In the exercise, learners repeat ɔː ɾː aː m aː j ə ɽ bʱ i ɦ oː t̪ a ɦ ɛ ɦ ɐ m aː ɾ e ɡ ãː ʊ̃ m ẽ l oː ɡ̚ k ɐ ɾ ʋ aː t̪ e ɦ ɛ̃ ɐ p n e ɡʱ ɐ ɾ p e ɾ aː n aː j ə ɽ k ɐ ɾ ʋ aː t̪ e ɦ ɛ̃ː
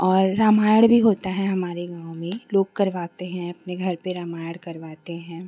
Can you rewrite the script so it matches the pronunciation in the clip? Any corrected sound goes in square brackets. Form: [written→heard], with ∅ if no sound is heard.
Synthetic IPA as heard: ɔː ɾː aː m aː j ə ɽ bʱ i ɦ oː t̪ a ɦ ɛ ɦ ɐ m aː ɾ e ɡ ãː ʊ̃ m ẽ l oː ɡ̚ k ɐ ɾ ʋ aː t̪ e ɦ ɛ̃ ɐ p n e ɡʱ ɐ ɾ p e ɾ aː [n→m] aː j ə ɽ k ɐ ɾ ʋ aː t̪ e ɦ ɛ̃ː

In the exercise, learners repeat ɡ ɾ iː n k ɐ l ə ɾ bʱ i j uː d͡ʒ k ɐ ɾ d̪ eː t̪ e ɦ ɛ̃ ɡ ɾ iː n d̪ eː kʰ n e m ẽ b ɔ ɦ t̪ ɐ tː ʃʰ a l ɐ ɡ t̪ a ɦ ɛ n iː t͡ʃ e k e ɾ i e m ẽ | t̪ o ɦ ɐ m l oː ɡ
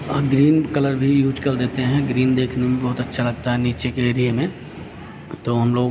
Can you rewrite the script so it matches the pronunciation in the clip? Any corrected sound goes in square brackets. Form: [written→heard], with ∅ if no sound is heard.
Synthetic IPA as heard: ɡ ɾ iː n k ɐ l ə ɾ bʱ i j uː d͡ʒ k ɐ ɾ d̪ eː t̪ e ɦ ɛ̃ ɡ ɾ iː n d̪ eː kʰ n e m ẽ b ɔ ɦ t̪ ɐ tː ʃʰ a l ɐ ɡ t̪ a ɦ ɛ n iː t͡ʃ e k e ɾ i e m ẽ | t̪ o ɦ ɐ m l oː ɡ

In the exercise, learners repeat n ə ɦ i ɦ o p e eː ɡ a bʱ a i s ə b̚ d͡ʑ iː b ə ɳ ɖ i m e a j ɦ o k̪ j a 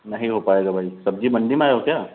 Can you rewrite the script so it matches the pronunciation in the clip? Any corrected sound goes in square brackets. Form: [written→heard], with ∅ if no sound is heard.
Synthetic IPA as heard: n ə ɦ i ɦ o p [e→a] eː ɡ a bʱ a i s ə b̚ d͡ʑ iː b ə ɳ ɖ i m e a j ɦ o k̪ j a

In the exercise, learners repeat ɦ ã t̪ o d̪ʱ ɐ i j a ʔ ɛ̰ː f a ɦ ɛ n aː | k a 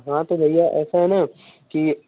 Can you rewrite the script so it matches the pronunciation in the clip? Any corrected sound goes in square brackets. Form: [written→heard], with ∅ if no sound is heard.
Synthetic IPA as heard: ɦ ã t̪ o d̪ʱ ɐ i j a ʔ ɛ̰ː [f→s] a ɦ ɛ n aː | k [a→i]

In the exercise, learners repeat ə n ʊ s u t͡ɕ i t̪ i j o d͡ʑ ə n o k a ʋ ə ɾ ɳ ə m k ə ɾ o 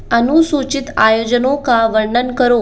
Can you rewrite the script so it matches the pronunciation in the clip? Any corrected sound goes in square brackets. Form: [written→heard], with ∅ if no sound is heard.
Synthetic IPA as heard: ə n [ʊ→u] s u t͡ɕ i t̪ [i→a] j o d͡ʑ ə n o k a ʋ ə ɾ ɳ ə [m→n] k ə ɾ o

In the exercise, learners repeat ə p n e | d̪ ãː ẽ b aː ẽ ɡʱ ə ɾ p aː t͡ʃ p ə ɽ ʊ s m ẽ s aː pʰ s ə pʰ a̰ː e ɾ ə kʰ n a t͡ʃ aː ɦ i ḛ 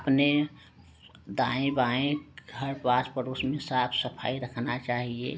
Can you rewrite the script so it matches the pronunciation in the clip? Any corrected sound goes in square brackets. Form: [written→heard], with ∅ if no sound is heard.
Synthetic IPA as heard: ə p n e | d̪ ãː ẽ b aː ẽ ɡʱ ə ɾ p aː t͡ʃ p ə [ɽ→ɾ] ʊ s m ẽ s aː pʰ s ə pʰ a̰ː [e→i] ɾ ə kʰ n a t͡ʃ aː ɦ i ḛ

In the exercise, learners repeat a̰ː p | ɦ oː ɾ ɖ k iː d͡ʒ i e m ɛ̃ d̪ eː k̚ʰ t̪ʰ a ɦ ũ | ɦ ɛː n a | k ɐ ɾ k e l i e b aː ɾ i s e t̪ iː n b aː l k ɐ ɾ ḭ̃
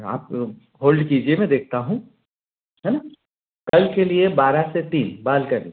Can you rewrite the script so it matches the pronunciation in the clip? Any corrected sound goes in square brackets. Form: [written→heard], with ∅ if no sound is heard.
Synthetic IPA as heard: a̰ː p | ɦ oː [ɾ→l] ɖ k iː d͡ʒ i e m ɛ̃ d̪ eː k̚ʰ [t̪ʰ→t̪] a ɦ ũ | ɦ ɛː n a | k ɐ [ɾ→l] k e l i e b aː ɾ [i→a] s e t̪ iː n b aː l k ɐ ɾ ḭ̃

